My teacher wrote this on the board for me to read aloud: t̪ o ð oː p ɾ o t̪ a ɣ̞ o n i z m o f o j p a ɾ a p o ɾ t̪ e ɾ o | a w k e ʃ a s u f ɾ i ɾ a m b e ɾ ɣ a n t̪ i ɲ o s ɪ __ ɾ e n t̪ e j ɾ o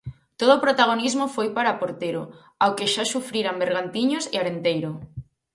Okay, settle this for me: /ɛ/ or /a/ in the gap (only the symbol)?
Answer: a